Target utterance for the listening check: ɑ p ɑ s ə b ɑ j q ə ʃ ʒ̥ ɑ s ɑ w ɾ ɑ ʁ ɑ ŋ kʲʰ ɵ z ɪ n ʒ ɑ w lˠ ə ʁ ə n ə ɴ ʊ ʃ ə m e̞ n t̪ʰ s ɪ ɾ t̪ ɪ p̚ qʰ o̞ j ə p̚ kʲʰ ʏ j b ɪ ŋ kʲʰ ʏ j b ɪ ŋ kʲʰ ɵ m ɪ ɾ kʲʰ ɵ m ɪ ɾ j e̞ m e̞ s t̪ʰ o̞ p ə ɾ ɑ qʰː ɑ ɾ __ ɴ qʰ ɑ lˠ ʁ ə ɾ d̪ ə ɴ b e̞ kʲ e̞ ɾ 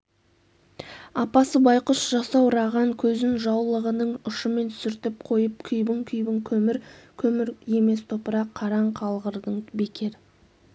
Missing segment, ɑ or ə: ɑ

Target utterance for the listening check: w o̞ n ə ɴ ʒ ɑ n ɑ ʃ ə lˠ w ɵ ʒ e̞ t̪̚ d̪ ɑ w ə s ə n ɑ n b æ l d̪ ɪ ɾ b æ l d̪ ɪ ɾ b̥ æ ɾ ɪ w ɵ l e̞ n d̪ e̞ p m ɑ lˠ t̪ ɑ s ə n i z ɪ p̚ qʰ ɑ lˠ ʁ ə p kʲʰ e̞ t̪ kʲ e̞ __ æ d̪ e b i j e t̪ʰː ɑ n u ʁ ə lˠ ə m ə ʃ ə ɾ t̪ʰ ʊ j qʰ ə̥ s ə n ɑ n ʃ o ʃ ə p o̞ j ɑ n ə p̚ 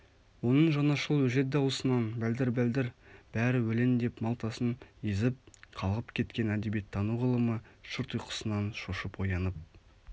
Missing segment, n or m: n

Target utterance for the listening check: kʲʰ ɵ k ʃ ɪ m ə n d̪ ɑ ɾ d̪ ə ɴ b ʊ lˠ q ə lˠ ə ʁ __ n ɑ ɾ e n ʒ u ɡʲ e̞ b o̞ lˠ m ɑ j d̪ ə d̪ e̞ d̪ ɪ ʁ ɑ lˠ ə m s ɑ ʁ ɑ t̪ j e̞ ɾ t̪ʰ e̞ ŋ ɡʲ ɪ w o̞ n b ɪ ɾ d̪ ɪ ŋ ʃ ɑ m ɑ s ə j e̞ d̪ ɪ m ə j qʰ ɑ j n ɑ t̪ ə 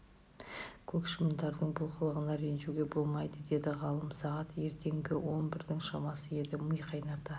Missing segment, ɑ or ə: ə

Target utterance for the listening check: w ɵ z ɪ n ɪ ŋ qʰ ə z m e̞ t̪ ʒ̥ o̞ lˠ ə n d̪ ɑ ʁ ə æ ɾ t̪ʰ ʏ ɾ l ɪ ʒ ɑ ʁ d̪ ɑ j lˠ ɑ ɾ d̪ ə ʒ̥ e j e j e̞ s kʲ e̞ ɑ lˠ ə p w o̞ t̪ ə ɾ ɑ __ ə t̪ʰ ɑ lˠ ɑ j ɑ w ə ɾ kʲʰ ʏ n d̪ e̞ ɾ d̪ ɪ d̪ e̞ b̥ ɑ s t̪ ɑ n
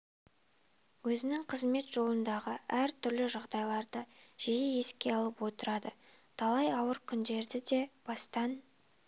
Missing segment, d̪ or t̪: d̪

